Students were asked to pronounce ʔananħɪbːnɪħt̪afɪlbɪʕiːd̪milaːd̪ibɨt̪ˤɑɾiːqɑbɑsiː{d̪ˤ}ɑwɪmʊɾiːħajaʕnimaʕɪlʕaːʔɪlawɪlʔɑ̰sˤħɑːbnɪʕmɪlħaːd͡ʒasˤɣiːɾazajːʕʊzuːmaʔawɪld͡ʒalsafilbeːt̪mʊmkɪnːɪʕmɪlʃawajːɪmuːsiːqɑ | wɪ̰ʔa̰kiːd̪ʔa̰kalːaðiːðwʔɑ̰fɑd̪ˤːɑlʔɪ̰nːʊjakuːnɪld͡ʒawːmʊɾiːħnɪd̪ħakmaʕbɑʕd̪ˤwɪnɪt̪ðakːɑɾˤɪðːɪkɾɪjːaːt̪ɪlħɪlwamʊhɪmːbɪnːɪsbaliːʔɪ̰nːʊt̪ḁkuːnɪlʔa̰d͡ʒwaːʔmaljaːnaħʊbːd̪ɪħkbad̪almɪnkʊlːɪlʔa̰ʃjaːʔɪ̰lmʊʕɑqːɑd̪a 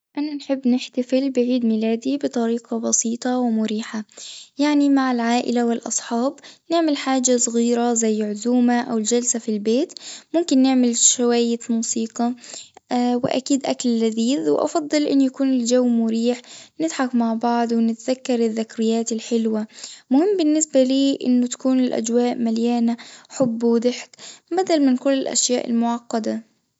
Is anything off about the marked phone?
yes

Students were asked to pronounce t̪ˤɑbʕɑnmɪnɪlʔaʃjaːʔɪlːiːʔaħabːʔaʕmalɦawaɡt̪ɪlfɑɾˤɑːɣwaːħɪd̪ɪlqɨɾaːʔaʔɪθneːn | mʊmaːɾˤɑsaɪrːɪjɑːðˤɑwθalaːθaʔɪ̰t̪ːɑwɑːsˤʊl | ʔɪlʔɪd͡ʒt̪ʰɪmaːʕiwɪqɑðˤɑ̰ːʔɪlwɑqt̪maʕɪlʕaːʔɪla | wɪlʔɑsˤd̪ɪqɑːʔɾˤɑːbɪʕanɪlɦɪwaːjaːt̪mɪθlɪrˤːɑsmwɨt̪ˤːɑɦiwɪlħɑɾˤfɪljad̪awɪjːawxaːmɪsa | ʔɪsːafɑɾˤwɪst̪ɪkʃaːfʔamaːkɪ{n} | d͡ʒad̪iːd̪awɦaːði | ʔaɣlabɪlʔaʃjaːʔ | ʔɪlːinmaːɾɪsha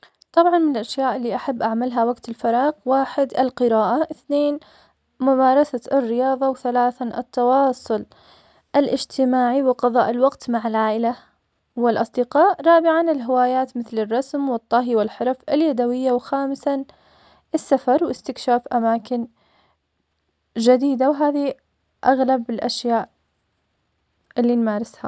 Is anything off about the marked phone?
no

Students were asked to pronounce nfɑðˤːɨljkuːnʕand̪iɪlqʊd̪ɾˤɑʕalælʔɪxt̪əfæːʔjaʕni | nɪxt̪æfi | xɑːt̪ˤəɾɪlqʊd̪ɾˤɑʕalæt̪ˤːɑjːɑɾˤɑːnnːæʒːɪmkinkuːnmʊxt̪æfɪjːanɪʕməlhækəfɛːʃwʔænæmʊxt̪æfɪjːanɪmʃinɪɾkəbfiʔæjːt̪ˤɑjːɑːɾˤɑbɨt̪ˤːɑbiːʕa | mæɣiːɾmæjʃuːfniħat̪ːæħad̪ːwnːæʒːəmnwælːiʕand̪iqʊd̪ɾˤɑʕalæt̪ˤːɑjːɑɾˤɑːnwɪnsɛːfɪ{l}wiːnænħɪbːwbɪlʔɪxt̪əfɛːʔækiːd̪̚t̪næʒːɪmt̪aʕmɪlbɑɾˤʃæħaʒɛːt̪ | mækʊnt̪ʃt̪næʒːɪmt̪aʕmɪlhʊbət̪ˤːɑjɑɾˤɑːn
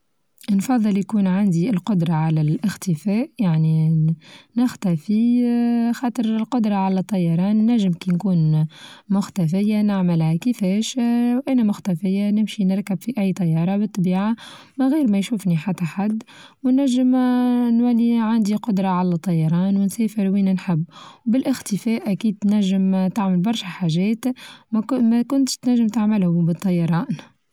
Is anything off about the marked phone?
yes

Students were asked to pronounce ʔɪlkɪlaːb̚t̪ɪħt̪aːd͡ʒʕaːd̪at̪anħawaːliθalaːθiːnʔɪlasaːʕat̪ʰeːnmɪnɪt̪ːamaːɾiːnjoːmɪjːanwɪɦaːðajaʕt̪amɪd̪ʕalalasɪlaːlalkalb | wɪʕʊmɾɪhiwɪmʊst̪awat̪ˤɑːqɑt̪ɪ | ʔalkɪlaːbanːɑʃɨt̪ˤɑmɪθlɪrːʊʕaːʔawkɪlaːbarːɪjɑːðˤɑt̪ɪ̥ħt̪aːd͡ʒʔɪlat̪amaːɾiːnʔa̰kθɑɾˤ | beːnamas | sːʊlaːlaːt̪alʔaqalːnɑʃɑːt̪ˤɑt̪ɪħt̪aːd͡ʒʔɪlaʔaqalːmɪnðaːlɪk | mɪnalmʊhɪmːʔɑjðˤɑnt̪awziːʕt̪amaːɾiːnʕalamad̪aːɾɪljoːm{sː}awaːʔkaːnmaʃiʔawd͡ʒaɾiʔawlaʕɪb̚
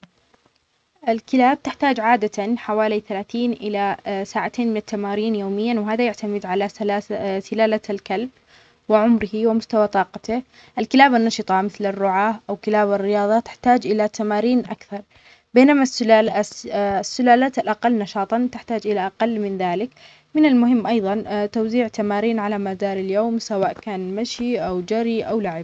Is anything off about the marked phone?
yes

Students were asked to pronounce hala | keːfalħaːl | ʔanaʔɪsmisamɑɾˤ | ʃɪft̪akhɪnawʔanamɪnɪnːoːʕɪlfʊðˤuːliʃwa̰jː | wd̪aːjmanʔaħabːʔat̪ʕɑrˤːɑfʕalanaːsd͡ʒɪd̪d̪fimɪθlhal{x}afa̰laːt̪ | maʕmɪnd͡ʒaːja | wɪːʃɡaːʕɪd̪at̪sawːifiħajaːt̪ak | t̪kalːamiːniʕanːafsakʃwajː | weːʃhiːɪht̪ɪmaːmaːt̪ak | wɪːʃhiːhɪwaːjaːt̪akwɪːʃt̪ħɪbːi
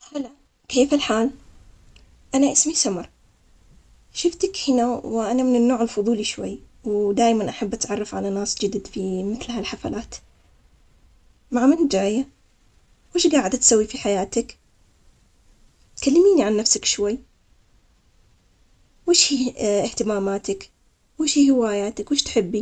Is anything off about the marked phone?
yes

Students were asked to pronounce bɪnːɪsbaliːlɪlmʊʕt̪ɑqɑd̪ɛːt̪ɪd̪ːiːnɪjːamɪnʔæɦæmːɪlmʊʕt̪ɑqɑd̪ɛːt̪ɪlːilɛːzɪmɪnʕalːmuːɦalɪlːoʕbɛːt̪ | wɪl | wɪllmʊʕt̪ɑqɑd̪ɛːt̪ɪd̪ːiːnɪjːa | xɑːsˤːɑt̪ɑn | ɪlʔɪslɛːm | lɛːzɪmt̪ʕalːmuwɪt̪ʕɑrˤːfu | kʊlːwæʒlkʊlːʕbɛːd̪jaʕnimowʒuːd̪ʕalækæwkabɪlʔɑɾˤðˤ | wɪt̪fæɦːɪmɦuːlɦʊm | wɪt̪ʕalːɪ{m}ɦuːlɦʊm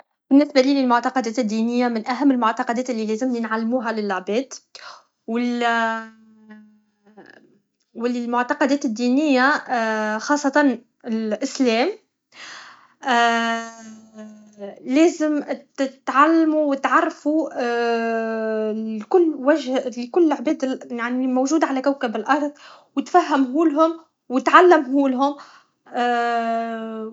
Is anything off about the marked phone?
no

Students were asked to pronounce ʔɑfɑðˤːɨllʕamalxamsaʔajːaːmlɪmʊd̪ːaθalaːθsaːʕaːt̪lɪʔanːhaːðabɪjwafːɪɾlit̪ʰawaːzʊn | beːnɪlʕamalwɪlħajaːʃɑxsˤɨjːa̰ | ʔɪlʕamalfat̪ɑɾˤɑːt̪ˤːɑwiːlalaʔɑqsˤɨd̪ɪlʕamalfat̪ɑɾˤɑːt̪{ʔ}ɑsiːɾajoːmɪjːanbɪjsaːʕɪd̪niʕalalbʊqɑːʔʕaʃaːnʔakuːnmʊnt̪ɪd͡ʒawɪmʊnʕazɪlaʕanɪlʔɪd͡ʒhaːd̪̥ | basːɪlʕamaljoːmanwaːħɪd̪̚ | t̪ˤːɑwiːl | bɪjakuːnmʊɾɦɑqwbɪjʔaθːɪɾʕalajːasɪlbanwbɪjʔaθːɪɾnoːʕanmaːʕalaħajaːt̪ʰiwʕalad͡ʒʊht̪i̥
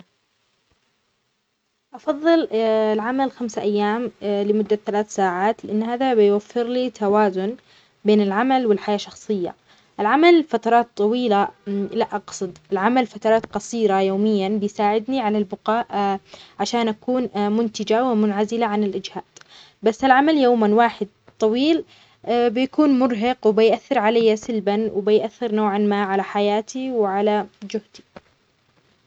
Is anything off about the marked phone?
yes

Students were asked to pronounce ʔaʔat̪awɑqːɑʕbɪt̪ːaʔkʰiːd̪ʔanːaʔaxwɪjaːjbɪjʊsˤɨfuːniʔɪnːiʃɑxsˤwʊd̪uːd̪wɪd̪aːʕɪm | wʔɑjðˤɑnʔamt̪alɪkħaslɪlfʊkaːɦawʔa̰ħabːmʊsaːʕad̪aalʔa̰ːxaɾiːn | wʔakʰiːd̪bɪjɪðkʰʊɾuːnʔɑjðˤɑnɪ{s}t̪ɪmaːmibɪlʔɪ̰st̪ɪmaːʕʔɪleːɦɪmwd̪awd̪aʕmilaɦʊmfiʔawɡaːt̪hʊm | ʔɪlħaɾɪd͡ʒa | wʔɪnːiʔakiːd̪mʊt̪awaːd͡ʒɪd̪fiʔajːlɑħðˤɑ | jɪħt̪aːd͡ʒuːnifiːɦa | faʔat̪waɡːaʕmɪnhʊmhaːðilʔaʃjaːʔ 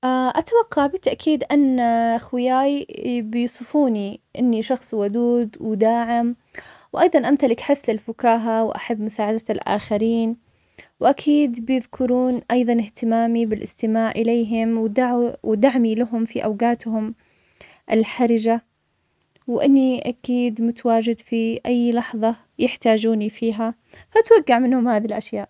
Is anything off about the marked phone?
yes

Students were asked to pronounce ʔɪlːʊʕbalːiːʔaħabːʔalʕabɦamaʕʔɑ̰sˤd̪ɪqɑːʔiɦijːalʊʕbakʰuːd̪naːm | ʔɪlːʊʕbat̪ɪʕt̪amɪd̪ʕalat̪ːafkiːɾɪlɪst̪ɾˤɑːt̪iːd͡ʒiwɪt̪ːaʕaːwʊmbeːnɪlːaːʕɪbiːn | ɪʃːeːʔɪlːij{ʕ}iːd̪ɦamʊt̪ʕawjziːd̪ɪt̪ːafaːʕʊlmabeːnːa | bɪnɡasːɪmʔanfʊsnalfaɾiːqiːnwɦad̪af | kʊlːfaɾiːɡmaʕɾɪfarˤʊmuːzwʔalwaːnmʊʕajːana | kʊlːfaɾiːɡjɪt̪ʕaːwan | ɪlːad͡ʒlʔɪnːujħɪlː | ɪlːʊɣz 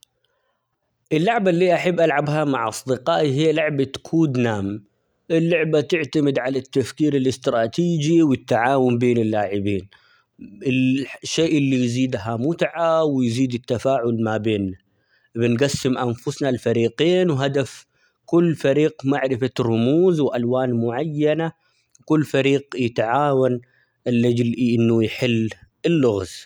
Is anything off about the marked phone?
yes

